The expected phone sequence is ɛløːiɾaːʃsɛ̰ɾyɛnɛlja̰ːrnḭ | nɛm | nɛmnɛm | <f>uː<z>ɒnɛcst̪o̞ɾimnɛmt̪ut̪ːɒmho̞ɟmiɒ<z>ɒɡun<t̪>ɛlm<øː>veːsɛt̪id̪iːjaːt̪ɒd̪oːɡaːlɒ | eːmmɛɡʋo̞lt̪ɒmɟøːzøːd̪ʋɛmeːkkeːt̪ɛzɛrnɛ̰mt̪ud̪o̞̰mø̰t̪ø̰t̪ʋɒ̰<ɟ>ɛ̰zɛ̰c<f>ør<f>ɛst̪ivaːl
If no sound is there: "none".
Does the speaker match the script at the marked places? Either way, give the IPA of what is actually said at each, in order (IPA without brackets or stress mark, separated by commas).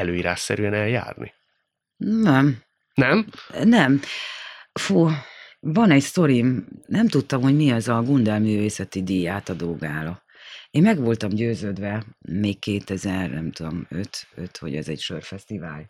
f, v, z, d̪, yː, ɟ, ʃ, f